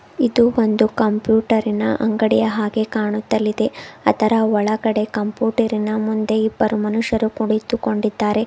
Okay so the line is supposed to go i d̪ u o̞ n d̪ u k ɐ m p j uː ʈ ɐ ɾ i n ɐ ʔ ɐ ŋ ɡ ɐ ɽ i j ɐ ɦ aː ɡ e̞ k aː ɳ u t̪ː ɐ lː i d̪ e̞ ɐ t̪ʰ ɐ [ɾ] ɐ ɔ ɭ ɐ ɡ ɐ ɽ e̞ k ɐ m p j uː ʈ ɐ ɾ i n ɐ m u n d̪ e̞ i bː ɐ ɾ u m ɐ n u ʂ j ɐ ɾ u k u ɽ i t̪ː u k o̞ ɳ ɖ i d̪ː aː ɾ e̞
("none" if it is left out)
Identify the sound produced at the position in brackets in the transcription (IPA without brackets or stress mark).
ɾ